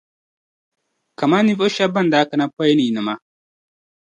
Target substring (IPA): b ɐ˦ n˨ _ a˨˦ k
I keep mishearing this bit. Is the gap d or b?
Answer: d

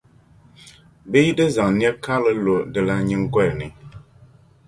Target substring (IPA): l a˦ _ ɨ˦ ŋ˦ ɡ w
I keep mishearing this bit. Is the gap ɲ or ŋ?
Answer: ɲ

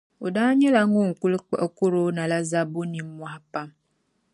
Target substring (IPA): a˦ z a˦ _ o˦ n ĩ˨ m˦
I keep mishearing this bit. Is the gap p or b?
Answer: b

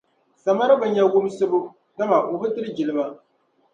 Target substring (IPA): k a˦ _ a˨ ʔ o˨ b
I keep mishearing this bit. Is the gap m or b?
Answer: m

